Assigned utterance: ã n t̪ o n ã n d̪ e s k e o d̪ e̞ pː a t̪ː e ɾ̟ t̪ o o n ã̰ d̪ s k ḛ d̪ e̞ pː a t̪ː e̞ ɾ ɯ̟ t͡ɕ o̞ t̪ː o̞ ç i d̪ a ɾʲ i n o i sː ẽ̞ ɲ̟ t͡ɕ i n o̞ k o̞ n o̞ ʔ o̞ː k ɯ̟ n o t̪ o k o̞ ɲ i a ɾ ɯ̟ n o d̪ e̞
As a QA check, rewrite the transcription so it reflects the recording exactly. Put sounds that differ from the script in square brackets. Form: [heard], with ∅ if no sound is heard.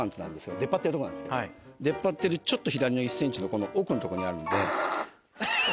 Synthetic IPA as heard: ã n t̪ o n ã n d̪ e s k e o d̪ e̞ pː a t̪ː e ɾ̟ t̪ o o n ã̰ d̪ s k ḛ d̪ e̞ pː a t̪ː e̞ ɾ ɯ̟ t͡ɕ o̞ t̪ː o̞ ç i d̪ a ɾʲ i n o i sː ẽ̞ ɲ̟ t͡ɕ i n o̞ k o̞ n o̞ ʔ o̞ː k ɯ̟ n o t̪ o k o̞ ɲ i a ɾ ɯ̟ n o d̪ e̞